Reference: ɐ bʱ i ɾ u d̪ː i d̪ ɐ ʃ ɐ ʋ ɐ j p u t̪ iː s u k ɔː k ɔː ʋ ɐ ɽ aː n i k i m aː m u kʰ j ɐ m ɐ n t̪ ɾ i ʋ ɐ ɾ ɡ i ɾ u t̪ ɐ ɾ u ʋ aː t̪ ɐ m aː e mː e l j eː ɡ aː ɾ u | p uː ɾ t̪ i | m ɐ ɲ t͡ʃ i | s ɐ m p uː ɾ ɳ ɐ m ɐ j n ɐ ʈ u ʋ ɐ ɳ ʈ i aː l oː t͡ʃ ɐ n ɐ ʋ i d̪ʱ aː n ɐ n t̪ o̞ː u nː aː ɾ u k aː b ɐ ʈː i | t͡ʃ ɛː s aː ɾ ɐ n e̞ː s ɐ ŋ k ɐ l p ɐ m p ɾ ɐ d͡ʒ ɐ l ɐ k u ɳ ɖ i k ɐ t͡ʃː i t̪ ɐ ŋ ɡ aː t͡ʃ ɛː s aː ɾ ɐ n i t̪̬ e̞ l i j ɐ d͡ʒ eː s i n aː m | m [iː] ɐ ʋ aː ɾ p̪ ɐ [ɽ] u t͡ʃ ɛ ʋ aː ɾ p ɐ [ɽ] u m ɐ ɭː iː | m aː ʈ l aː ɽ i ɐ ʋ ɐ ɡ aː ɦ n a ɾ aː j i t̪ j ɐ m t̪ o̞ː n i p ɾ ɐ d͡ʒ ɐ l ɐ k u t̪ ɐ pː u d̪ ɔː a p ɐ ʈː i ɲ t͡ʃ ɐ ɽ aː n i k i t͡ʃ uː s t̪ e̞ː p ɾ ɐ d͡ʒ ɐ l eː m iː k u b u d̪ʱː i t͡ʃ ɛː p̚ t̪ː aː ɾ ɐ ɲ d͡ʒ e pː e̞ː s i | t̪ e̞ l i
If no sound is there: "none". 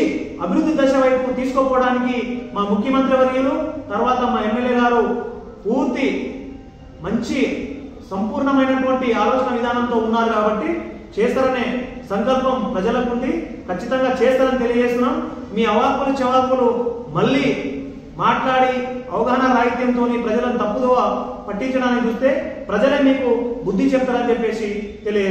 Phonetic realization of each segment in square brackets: iː, l, l

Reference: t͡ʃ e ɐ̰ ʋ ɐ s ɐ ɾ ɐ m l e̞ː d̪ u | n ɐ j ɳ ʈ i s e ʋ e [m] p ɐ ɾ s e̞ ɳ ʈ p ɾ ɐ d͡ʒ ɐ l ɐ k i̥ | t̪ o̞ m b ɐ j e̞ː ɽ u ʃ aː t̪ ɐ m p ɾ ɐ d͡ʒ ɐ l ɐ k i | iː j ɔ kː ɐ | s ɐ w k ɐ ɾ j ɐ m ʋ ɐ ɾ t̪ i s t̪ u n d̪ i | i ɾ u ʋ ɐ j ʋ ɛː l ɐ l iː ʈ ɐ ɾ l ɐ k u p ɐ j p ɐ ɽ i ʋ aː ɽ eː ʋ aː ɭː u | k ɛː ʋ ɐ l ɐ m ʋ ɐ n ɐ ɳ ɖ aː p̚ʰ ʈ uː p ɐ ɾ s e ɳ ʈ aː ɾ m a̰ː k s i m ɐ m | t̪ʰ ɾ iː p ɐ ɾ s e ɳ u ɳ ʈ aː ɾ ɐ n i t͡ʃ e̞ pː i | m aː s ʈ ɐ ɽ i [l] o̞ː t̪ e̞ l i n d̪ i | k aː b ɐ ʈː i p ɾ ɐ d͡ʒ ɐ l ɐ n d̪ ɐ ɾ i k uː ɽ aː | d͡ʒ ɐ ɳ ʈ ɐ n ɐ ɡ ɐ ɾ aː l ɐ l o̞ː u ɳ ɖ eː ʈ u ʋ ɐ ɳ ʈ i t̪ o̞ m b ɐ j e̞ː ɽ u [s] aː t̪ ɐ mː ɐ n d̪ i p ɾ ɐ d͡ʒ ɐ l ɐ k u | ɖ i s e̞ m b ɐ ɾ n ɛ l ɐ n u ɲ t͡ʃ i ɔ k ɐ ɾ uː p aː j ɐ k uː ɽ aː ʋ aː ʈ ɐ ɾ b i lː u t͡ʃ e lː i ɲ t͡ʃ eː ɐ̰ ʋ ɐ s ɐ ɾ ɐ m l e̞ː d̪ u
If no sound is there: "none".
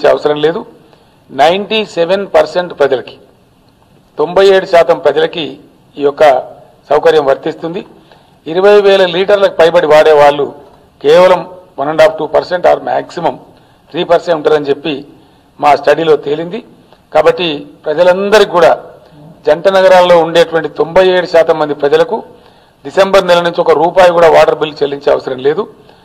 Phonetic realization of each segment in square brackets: n, l, ʃ

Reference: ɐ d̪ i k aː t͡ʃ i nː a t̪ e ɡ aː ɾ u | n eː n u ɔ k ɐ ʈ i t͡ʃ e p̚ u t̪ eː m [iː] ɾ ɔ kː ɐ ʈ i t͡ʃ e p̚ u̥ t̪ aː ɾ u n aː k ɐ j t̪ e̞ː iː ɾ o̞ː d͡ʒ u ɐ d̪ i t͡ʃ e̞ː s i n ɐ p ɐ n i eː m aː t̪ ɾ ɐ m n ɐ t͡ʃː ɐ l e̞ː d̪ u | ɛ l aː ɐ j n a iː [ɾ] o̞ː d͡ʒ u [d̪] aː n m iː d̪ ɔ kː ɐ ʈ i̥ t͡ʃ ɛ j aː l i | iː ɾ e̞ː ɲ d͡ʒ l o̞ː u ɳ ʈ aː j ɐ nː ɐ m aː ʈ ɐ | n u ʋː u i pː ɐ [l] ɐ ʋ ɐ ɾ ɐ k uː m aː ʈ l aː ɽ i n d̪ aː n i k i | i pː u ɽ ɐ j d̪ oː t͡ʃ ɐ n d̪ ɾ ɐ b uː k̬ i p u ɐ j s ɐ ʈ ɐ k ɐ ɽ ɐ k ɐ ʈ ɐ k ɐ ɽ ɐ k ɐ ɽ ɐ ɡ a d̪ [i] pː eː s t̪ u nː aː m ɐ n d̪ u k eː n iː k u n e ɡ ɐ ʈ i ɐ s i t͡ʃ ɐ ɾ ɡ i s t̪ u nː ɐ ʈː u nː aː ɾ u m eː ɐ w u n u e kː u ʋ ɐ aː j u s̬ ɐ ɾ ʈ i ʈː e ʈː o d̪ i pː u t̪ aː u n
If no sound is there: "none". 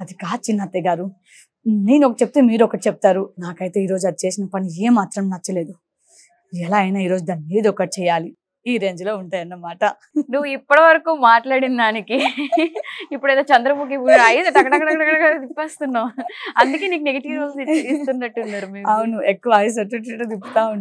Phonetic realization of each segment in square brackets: iː, ɾ, d̪, ɽ, i

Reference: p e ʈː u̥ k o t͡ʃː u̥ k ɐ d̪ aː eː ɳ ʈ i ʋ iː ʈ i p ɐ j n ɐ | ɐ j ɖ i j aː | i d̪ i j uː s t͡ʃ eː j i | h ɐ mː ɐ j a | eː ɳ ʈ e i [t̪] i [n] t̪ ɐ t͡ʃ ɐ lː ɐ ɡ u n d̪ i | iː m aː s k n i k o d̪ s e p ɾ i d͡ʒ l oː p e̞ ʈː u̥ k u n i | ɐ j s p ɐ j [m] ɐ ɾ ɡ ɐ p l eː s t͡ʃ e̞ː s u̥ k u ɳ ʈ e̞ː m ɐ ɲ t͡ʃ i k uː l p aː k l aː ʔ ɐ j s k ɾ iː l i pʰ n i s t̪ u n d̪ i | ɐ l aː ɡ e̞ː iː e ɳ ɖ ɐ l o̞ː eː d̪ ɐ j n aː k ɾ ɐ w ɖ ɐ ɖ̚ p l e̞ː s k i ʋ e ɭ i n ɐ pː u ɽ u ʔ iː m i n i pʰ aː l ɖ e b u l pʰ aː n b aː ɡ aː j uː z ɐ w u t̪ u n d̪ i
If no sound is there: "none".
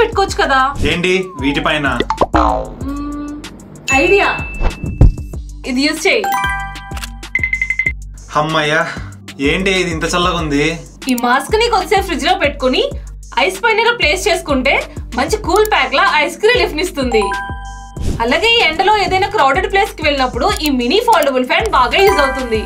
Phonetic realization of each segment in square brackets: d̪, n, n

